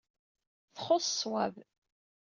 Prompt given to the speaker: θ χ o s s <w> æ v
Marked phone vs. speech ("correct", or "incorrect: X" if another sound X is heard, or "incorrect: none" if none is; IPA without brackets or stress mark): correct